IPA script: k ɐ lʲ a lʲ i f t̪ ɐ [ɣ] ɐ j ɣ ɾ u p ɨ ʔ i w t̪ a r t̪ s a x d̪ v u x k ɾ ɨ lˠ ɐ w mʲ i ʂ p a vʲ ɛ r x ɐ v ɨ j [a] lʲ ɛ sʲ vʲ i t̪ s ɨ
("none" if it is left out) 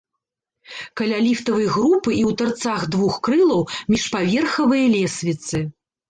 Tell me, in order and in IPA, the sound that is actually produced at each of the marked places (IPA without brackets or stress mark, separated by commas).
v, ɐ